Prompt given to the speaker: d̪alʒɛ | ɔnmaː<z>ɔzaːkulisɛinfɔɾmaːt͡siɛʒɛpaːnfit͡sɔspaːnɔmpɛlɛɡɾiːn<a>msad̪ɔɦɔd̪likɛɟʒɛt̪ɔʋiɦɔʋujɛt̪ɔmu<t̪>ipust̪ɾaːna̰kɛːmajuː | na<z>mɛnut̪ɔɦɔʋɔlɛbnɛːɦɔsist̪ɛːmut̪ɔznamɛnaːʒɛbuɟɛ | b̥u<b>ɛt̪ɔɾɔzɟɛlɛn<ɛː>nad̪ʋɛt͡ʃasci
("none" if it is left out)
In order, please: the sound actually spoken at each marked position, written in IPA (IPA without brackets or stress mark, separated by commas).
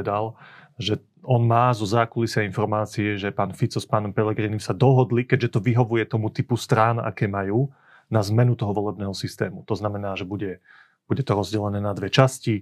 z, i, t̪, z, ɟ, ɛː